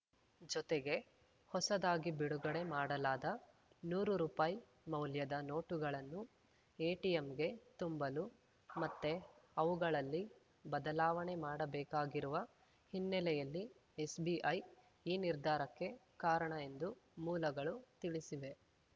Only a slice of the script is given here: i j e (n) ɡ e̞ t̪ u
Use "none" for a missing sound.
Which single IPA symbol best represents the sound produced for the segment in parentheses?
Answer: m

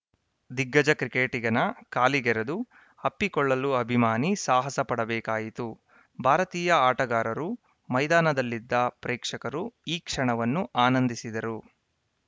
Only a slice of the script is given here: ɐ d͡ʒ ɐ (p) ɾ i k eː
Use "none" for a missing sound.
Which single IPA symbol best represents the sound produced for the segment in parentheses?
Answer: k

